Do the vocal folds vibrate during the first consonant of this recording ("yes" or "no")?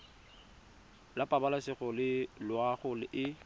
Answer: yes